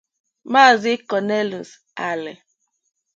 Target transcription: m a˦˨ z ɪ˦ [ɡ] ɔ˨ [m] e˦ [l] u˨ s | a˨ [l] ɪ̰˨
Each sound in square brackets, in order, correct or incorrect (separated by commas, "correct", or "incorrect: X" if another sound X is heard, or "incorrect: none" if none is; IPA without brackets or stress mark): incorrect: k, incorrect: n, correct, correct